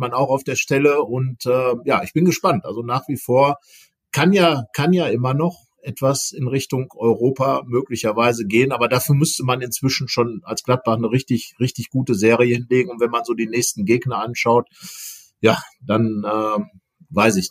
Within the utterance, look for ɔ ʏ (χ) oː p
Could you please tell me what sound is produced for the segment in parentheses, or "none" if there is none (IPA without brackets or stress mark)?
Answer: ʁ